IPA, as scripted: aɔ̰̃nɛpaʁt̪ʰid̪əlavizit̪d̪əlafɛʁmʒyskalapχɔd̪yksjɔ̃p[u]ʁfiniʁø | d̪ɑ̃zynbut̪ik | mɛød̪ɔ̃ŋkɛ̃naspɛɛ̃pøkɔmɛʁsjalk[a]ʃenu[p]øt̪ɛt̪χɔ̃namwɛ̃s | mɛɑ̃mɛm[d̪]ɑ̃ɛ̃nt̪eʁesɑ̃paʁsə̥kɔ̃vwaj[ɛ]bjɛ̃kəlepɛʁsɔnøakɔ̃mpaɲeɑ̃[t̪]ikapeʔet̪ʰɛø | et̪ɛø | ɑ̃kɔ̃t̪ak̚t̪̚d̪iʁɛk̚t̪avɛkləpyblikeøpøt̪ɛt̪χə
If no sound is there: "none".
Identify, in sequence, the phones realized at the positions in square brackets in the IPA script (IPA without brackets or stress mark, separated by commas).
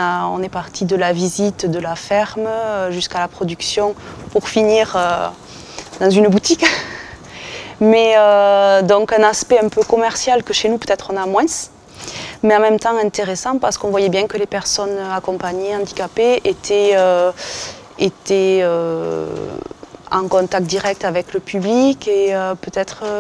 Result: u, ə, p, t̪, ɛ, d̪